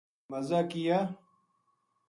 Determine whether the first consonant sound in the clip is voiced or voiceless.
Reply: voiced